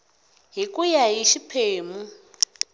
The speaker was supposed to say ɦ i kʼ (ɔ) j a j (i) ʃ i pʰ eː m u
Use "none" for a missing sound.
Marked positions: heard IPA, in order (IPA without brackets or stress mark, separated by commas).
u, i